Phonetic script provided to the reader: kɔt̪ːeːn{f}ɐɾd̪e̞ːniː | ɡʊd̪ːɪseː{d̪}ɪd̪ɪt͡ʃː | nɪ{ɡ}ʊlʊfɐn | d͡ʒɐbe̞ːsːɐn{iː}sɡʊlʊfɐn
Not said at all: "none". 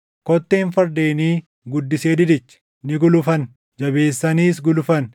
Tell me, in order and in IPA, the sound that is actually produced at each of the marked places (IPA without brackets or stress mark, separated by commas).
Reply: f, d̪, ɡ, iː